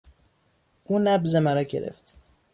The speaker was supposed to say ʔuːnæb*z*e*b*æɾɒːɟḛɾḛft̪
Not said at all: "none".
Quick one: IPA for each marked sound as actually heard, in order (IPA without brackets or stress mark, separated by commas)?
z, m